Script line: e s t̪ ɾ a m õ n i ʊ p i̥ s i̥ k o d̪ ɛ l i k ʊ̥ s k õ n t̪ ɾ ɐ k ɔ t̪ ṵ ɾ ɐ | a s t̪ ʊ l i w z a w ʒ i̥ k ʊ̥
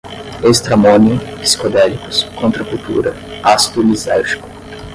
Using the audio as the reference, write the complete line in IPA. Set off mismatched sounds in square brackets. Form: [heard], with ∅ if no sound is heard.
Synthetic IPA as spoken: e s t̪ ɾ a m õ n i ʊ p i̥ s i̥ k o d̪ ɛ l i k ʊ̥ s k õ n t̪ ɾ ɐ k [u] t̪ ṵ ɾ ɐ | a s t̪ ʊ l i [∅] z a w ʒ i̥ k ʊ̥